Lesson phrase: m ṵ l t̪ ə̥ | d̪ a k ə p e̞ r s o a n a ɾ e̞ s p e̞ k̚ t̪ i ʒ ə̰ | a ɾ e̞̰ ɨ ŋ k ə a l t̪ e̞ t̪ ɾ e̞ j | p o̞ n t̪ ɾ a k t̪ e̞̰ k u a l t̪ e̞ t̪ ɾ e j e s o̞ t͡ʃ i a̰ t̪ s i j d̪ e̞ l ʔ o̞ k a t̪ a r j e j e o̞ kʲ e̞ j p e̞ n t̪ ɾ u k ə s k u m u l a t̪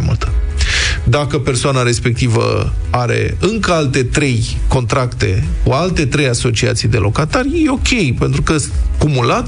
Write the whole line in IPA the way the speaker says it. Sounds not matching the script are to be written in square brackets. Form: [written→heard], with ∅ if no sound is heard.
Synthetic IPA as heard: m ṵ l t̪ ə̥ | d̪ a k ə p e̞ r s o a n a ɾ e̞ s p e̞ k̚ t̪ i [ʒ→v] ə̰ | a ɾ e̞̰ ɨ ŋ k ə a l t̪ e̞ t̪ ɾ e̞ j | [p→k] o̞ n t̪ ɾ a k t̪ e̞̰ k u a l t̪ e̞ t̪ ɾ e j [e→a] s o̞ t͡ʃ i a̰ t̪ s i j d̪ e̞ l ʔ o̞ k a t̪ a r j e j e o̞ kʲ e̞ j p e̞ n t̪ ɾ u k ə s k u m u l a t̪